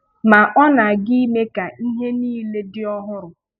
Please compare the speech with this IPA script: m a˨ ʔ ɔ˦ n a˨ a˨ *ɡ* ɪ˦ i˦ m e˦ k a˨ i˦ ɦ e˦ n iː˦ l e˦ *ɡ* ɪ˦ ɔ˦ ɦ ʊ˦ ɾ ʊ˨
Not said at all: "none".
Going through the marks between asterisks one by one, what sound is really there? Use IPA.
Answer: ɡ, d

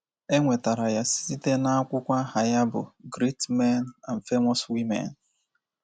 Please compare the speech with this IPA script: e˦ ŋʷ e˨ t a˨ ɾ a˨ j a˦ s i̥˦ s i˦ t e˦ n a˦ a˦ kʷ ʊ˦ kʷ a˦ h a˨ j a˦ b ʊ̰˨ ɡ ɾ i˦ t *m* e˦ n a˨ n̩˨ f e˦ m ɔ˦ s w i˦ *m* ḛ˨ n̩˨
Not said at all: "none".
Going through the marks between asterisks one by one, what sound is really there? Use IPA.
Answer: m, m

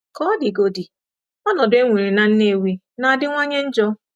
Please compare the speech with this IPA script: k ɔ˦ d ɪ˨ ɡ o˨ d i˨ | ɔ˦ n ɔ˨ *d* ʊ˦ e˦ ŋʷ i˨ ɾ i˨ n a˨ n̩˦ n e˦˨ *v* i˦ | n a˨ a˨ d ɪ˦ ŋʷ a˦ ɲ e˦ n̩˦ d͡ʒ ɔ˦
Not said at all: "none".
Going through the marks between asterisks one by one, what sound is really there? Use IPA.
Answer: d, w

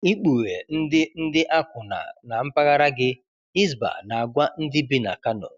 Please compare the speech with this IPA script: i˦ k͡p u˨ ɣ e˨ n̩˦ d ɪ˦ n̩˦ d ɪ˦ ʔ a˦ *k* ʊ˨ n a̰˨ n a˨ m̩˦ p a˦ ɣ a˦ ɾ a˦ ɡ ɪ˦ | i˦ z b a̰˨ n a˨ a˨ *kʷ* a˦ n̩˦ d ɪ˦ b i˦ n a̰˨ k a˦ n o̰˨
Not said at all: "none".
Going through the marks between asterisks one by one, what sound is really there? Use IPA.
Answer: k, ɡʷ

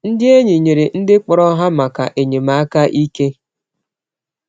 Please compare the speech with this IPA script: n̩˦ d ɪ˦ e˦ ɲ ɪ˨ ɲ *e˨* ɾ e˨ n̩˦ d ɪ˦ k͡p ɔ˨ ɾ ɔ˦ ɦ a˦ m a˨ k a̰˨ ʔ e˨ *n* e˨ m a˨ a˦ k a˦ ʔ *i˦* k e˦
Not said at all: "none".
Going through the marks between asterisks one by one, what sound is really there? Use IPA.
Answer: e˨, ɲ, i˦

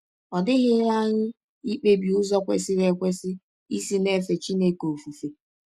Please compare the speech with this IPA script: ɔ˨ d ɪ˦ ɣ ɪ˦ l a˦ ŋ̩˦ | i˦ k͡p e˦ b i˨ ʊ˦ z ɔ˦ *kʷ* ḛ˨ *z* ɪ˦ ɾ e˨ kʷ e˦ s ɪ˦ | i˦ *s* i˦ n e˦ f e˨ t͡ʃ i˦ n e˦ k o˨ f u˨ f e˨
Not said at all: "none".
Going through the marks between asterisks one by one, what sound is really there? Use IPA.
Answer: kʷ, s, s

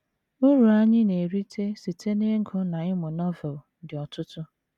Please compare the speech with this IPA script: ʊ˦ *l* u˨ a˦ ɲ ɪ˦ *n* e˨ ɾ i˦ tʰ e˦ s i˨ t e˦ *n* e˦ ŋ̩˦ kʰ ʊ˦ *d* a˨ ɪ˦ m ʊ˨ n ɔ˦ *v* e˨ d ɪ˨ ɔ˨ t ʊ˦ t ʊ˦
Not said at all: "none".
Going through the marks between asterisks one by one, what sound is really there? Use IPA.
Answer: ɾ, n, n, n, v

